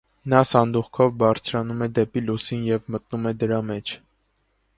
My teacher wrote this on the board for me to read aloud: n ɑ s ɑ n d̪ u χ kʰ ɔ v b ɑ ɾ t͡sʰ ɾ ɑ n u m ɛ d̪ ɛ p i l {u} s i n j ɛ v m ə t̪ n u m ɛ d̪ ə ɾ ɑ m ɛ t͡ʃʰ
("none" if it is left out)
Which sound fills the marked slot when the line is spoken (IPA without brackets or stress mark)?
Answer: u